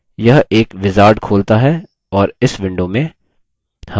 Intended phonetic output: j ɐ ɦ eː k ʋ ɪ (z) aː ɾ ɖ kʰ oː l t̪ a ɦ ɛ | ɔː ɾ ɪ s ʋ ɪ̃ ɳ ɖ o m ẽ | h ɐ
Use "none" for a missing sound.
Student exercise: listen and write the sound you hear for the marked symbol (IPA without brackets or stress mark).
z